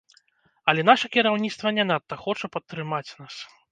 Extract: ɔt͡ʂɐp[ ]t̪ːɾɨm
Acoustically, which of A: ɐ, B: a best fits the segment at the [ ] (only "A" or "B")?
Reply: A